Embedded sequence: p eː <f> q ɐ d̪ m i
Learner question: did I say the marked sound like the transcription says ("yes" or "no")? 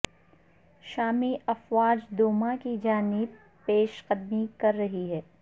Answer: no